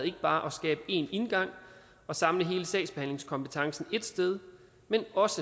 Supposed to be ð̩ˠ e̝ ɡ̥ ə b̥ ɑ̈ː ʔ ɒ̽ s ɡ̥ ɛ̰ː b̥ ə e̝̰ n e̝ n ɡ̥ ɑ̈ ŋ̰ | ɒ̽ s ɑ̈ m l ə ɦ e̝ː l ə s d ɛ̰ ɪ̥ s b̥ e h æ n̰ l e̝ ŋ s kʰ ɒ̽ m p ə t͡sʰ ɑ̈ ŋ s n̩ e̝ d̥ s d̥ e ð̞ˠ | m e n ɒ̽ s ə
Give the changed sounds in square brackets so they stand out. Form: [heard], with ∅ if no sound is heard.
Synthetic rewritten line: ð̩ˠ e̝ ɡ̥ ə b̥ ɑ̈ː ʔ ɒ̽ s ɡ̥ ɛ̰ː b̥ ə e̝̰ n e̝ n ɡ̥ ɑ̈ ŋ̰ | ɒ̽ s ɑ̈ m l ə ɦ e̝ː l ə s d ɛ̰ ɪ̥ s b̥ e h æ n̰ l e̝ ŋ s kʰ ɒ̽ m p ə t͡sʰ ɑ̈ ŋ s n̩ e̝ d̥ s d̥ e ð̞ˠ | m e n ɒ̽ s ə